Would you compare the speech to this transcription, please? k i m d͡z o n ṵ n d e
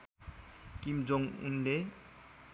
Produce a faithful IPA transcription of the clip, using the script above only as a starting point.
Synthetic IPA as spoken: k i m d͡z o ŋ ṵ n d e